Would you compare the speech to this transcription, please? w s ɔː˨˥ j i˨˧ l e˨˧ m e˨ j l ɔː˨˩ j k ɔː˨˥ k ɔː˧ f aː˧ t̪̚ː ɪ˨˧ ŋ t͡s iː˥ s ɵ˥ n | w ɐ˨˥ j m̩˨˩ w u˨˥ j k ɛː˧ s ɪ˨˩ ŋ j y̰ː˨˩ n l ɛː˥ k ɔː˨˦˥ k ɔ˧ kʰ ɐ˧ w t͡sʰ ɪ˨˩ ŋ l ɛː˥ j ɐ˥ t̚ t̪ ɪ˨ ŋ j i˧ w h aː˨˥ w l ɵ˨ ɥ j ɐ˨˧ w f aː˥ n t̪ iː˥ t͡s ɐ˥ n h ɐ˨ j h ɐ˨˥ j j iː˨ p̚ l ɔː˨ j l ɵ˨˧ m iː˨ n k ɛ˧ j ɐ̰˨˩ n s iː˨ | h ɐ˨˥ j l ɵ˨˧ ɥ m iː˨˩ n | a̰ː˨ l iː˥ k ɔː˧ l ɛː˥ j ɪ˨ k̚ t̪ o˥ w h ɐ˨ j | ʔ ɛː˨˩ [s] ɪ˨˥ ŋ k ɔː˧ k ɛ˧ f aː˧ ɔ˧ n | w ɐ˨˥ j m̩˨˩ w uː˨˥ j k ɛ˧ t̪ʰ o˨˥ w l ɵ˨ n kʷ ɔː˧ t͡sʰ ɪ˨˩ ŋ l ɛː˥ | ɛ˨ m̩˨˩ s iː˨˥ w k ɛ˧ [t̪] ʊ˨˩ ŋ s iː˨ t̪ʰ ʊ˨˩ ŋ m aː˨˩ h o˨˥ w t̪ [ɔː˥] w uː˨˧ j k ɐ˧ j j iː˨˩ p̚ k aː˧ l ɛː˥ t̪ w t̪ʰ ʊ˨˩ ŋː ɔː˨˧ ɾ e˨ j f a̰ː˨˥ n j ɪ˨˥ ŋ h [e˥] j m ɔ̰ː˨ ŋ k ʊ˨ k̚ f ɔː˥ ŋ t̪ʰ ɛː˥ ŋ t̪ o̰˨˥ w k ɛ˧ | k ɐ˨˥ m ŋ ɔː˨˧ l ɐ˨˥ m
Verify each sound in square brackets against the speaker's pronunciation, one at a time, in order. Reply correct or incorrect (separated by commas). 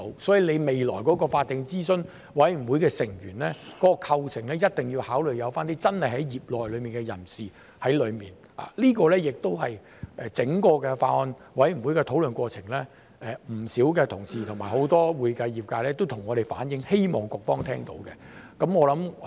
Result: incorrect, incorrect, correct, correct